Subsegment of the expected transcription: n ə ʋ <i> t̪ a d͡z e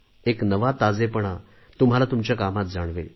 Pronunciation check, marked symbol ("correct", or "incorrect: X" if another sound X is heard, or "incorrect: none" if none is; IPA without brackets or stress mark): incorrect: a